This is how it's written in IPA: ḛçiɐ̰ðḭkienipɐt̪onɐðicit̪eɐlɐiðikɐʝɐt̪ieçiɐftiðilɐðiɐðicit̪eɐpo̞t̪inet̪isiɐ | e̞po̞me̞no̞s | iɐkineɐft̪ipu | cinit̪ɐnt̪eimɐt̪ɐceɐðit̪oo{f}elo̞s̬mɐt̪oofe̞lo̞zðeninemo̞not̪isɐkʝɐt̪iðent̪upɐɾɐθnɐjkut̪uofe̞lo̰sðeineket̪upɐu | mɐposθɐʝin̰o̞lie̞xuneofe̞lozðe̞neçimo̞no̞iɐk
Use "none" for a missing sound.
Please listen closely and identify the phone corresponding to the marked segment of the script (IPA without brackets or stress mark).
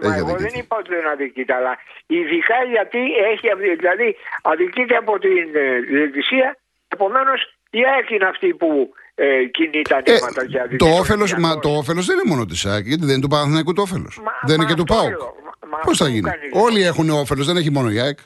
f